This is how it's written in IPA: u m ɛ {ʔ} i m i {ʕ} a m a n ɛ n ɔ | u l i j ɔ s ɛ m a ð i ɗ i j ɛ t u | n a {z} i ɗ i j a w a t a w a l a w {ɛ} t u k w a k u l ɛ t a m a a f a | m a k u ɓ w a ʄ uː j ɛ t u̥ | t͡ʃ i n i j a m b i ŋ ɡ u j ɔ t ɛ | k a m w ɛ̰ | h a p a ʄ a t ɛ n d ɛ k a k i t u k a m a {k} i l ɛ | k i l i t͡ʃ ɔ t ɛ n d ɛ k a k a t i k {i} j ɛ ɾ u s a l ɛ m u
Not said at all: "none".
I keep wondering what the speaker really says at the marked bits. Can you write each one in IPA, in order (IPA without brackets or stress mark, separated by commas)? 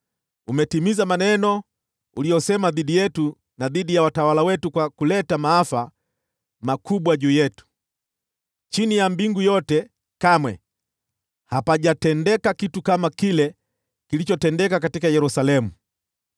t, z, ð, ɛ, k, a